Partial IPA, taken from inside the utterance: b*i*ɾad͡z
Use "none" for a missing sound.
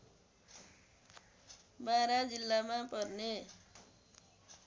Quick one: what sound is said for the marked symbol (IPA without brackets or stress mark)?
a